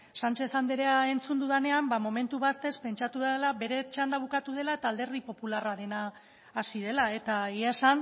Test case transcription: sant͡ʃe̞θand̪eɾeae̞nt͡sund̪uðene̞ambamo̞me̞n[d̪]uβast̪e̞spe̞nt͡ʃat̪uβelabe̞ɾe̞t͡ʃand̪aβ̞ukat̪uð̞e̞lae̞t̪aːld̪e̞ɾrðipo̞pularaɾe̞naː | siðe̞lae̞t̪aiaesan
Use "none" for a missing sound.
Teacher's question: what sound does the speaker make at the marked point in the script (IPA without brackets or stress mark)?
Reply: t̪